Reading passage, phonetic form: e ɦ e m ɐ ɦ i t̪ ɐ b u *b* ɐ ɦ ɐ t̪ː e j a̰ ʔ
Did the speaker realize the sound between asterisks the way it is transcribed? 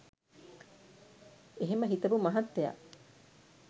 no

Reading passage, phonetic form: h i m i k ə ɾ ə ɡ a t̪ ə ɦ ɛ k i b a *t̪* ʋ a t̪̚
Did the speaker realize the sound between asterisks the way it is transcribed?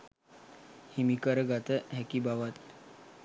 no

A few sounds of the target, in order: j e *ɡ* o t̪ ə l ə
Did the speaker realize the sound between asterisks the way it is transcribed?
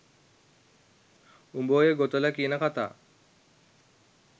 yes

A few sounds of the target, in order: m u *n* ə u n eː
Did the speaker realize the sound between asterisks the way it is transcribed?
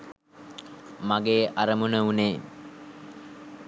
yes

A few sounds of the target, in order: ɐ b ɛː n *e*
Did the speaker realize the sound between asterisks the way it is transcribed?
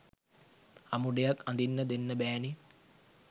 no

